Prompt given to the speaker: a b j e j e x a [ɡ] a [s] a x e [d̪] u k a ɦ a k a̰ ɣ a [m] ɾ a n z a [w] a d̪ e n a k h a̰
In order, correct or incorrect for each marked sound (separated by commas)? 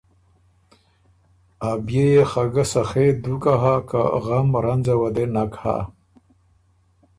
correct, correct, correct, correct, correct